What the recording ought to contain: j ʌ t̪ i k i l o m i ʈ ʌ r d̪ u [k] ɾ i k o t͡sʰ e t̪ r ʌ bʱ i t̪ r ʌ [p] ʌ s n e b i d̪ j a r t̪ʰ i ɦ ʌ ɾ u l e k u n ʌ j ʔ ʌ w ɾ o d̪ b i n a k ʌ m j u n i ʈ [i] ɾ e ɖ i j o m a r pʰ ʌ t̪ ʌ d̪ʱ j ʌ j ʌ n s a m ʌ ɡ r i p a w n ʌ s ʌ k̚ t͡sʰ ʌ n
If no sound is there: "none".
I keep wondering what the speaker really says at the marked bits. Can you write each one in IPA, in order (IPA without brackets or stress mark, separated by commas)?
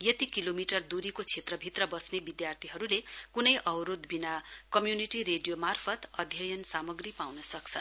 none, b, i